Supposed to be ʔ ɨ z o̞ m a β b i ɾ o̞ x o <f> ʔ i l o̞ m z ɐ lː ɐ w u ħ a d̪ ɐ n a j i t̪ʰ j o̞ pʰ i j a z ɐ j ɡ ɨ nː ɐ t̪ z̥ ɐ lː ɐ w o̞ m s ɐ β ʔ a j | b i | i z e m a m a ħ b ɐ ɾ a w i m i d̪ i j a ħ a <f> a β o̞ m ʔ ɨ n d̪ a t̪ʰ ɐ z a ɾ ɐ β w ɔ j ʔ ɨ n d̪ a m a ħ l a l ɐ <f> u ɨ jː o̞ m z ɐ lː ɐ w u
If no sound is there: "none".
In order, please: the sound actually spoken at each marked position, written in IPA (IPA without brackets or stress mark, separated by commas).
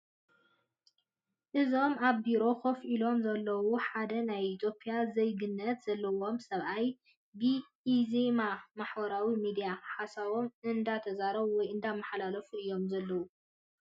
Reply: f, s, f